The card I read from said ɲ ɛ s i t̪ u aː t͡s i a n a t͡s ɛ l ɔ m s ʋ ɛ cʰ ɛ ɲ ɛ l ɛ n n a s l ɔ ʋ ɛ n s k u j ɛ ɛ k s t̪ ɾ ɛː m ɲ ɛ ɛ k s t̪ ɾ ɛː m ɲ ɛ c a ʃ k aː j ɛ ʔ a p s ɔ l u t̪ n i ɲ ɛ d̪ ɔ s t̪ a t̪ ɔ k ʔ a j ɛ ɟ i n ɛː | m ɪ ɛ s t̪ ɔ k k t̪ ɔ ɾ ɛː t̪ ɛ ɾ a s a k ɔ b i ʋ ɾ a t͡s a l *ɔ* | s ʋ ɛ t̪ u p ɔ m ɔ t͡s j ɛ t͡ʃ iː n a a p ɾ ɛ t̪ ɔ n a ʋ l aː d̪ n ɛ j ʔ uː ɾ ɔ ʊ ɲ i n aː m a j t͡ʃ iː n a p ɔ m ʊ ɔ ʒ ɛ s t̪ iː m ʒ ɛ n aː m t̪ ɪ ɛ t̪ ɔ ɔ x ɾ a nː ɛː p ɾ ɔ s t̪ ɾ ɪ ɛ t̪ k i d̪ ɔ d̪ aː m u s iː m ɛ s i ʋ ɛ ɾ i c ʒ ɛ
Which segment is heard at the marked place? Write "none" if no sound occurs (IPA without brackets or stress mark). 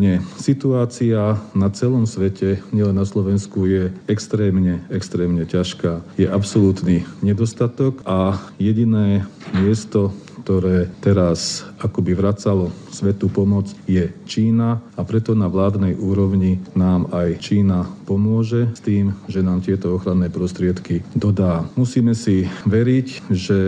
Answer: ɔ